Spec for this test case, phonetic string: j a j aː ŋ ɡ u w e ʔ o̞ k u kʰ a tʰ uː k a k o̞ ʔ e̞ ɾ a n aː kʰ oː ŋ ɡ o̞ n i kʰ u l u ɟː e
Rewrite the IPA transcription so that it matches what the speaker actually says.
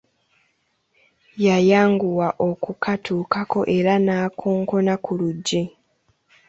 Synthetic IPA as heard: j a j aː ŋ ɡ u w a ʔ o̞ k u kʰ a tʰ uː k a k o̞ ʔ e̞ ɾ a n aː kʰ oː ŋ k o̞ n a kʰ u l u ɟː e